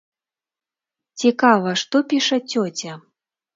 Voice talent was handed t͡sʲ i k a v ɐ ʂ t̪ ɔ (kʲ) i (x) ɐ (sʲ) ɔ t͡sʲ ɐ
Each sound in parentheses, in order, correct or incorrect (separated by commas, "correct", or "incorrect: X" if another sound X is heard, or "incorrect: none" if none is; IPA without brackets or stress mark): incorrect: pʲ, incorrect: ʂ, incorrect: t͡sʲ